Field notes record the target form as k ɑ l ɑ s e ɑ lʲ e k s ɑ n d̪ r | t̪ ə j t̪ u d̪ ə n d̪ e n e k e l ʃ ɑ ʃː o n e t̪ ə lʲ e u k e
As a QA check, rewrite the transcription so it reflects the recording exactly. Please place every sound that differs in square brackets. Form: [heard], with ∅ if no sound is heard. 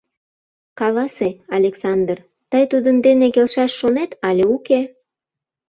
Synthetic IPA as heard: k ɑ l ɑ s e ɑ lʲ e k s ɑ n d̪ r | t̪ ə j t̪ u d̪ ə n d̪ e n e k e l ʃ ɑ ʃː o n e t̪ [ɑ] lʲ e u k e